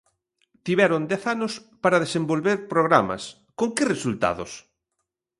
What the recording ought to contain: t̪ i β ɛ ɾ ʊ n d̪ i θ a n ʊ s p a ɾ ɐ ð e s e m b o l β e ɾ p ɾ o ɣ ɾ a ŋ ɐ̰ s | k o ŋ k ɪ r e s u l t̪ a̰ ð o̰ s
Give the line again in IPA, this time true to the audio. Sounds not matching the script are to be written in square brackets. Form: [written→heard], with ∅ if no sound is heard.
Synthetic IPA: t̪ i β ɛ ɾ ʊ n d̪ [i→ɛ] θ a n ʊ s p a ɾ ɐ ð e s e m b o l β e ɾ p ɾ o ɣ ɾ a [ŋ→m] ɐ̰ s | k o ŋ k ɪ r e s u l t̪ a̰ ð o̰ s